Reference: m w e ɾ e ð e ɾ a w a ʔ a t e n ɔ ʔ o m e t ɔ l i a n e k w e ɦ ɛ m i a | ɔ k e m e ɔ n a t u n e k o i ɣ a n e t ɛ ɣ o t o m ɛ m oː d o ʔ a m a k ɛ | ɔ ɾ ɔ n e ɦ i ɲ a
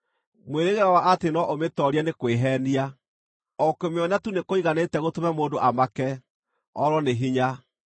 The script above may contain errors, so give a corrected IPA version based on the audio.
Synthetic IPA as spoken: m w e ɾ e ɣ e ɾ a w a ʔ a t e n ɔ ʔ o m e t ɔ ɾ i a n e k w e ɦ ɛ n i a | ɔ k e m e ɔ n a t u n e k o i ɣ a n e t ɛ ɣ o t o m ɛ m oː d o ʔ a m a k ɛ | ɔ ɾ ɔ n e ɦ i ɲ a